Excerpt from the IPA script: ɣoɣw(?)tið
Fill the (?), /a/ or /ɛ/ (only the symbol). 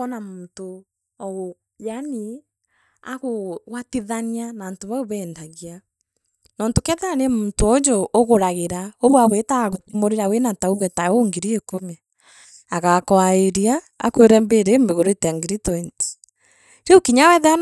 a